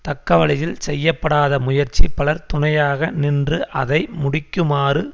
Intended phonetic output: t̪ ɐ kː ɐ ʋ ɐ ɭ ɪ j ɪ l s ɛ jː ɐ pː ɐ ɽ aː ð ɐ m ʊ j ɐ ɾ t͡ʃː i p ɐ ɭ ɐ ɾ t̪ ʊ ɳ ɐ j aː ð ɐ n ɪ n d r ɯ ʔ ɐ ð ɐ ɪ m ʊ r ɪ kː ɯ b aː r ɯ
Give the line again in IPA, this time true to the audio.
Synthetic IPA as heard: t̪ ɐ kː ɐ ʋ ɐ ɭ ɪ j ɪ l s ɛ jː ɐ pː ɐ ɽ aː ð ɐ m ʊ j ɐ ɾ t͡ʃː i p ɐ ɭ ɐ ɾ t̪ ʊ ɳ ɐ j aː ɣ ɐ n ɪ n d r ɯ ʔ ɐ ð ɐ ɪ m ʊ ɽ ɪ kː ɯ m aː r ɯ

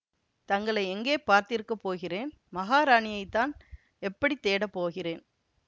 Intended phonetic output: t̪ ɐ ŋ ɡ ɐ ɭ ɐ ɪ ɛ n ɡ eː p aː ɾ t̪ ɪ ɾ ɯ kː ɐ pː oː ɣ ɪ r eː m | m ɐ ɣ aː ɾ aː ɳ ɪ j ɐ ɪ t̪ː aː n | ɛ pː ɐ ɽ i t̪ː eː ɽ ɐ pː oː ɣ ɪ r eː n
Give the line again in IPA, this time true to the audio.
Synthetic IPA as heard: t̪ ɐ ŋ ɡ ɐ ɭ ɐ ɪ ɛ ŋ ɡ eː p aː ɾ t̪ ɪ ɾ ɯ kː ɐ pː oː ɣ ɪ r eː n | m ɐ ɣ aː ɾ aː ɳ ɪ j ɐ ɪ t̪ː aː n | ɛ pː ɐ ɽ i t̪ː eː ɽ ɐ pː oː ɣ ɪ r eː n

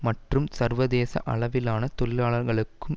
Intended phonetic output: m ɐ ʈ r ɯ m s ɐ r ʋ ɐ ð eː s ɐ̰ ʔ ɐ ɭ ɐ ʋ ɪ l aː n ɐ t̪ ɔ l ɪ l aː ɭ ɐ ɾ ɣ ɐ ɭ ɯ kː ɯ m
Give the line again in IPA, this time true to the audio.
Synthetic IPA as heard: m ɐ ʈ r ɯ m s ɐ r ʋ ɐ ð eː s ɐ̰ ʔ ɐ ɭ ɐ ʋ ɪ l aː n ɐ t̪ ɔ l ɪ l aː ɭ ɐ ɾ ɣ ɐ ɭ ɯ kː ɯ m

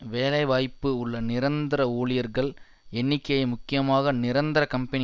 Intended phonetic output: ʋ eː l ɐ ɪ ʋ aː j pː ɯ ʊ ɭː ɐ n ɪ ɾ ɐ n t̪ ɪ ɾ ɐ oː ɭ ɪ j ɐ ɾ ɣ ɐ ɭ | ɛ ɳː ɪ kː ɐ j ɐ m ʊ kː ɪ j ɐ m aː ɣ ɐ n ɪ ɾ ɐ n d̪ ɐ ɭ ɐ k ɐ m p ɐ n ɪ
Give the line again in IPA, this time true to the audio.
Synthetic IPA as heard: ʋ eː l ɐ ɪ ʋ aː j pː ɯ ʊ ɭː ɐ n ɪ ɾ ɐ n d̪ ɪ ɾ ɐ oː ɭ ɪ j ɐ ɾ ɣ ɐ ɭ | ɛ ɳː ɪ kː ɐ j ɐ m ʊ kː ɪ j ɐ m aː ɣ ɐ n ɪ ɾ ɐ n d̪ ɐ ɾ ɐ k ɐ m p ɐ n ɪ

